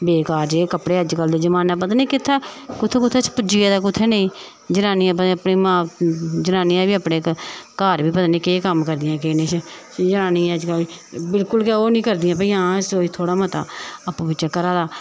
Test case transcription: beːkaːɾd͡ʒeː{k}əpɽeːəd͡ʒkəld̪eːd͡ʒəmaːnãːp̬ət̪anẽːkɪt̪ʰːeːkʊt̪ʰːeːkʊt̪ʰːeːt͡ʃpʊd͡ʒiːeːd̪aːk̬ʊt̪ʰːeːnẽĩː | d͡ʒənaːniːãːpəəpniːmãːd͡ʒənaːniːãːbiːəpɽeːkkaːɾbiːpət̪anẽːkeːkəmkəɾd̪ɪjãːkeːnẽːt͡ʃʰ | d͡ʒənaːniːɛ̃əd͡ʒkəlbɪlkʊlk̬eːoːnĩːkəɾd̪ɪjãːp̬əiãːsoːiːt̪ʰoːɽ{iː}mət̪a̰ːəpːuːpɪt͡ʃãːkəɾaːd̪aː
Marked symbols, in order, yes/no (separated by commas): yes, no